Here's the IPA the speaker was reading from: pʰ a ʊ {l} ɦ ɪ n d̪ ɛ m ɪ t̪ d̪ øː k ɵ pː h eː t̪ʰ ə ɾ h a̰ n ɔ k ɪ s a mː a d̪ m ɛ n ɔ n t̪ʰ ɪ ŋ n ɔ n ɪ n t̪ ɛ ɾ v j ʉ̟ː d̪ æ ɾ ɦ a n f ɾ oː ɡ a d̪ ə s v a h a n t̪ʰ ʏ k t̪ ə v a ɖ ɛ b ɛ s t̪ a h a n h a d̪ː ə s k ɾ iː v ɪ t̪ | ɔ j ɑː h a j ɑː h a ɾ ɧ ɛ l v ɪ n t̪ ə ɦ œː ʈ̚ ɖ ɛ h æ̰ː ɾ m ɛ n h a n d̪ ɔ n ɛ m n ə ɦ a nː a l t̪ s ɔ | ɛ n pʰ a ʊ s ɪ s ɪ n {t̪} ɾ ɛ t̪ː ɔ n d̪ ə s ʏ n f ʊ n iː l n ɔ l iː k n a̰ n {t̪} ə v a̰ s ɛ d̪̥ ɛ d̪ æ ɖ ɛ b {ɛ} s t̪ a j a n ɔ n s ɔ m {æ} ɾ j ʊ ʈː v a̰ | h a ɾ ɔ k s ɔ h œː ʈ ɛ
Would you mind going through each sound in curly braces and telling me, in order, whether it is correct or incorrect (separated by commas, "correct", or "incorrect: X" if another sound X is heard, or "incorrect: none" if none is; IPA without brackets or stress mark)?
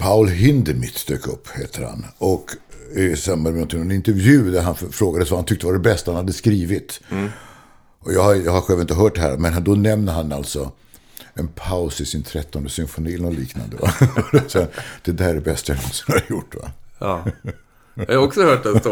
correct, incorrect: t̪ʰ, incorrect: d̪, correct, incorrect: a